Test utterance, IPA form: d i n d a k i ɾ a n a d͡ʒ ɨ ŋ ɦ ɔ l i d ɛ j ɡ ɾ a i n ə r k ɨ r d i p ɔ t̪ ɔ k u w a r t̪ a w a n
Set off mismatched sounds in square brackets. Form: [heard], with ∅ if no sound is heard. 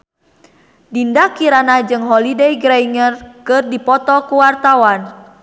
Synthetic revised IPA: d i n d a k i ɾ a n a d͡ʒ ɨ ŋ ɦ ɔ l i d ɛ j ɡ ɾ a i [ŋ] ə r k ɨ r d i p ɔ t̪ ɔ k u w a r t̪ a w a n